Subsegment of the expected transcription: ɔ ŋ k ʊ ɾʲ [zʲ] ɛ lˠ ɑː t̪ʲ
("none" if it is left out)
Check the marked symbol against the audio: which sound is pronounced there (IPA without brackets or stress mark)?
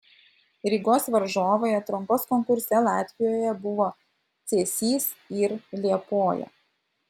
sʲ